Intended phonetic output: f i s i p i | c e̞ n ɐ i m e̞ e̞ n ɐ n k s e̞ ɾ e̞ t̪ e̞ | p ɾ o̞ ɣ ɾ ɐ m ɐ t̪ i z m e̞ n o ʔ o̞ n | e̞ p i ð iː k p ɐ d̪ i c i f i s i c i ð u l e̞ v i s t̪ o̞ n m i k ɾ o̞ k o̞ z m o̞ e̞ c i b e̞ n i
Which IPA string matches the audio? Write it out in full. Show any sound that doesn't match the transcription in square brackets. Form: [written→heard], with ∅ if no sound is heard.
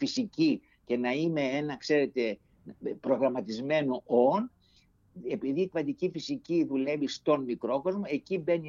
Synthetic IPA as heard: f i s i [p→c] i | c e̞ n ɐ i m e̞ e̞ n ɐ [n→∅] k s e̞ ɾ e̞ t̪ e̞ | p ɾ o̞ ɣ ɾ ɐ m ɐ t̪ i z m e̞ n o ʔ o̞ n | e̞ p i ð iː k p ɐ d̪ i c i f i s i c i ð u l e̞ v i s t̪ o̞ n m i k ɾ o̞ k o̞ z m o̞ e̞ c i b e̞ n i